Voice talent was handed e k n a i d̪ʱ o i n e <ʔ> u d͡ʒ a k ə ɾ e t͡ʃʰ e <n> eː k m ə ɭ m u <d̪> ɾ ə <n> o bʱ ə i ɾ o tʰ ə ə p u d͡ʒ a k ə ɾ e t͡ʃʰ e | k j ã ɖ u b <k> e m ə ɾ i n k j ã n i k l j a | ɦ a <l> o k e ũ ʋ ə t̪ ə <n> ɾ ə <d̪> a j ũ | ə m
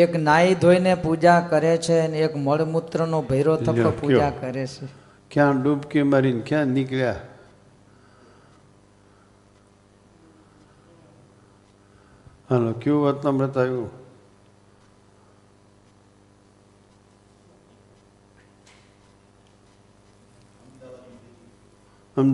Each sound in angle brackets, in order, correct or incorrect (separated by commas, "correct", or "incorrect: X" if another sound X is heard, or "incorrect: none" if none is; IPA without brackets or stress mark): incorrect: p, correct, incorrect: t̪, correct, correct, correct, incorrect: m, incorrect: t̪